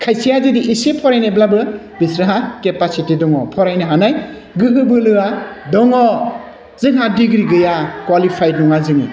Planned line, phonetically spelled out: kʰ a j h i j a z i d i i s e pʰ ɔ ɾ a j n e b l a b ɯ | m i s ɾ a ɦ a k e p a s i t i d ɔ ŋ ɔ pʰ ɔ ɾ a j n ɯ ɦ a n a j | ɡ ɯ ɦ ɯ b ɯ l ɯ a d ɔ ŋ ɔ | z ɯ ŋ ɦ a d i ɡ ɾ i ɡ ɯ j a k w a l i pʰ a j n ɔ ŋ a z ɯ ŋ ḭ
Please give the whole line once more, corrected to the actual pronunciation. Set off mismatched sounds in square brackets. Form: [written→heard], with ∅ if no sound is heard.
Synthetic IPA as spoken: kʰ a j [h→s] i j a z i d i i s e pʰ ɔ ɾ a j n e b l a b ɯ | [m→b] i s ɾ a ɦ a k e p a s i t i d ɔ ŋ ɔ pʰ ɔ ɾ a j n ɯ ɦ a n a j | ɡ ɯ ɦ ɯ b ɯ l ɯ a d ɔ ŋ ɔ | z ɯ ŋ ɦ a d i ɡ ɾ i ɡ ɯ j a k w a l i pʰ a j n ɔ ŋ a z ɯ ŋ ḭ